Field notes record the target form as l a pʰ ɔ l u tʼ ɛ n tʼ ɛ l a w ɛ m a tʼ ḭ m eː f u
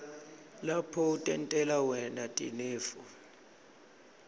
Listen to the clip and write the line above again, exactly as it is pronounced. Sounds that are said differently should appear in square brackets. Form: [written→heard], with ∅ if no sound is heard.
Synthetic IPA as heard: l a pʰ ɔ [l→∅] u tʼ ɛ n tʼ ɛ l a w ɛ [m→n] a tʼ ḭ [m→n] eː f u